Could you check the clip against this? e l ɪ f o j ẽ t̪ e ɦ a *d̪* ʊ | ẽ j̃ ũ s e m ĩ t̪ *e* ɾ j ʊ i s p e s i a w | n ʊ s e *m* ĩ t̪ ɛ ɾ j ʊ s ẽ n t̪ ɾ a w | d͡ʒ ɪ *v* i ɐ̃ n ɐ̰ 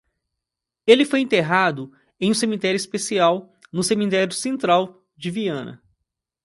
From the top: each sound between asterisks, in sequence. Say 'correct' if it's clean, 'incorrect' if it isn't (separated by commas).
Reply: correct, incorrect, correct, correct